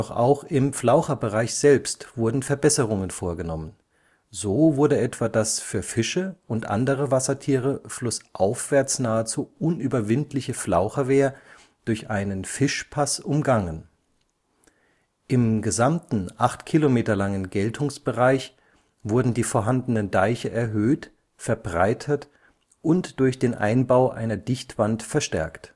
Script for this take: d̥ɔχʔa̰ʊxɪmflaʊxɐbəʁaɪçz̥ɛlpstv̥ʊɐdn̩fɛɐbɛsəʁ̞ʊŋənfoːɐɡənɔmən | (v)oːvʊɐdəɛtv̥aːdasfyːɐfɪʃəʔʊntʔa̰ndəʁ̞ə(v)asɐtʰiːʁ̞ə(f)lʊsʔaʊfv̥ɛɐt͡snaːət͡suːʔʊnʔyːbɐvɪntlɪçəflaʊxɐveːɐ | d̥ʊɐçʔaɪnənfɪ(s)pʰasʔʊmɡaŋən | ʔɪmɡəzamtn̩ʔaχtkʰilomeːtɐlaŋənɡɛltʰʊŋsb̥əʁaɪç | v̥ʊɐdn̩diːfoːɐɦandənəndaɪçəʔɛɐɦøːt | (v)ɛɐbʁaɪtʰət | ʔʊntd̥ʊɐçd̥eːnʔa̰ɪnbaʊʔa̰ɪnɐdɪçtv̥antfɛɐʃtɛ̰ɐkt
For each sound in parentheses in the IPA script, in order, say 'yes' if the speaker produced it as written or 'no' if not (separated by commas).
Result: no, yes, yes, no, no